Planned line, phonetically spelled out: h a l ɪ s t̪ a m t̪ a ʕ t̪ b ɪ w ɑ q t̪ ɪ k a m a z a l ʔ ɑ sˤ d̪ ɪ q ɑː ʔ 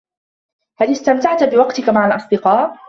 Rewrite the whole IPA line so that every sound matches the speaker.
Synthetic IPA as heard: h a l ɪ s t̪ a m t̪ a ʕ t̪ b ɪ w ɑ q t̪ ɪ k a m a ʕ a l ʔ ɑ sˤ d̪ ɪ q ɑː ʔ